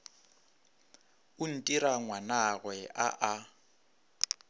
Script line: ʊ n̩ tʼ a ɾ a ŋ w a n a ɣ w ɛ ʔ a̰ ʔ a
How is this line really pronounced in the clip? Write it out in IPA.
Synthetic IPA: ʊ n̩ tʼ i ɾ a ŋ w a n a ɣ w ɛ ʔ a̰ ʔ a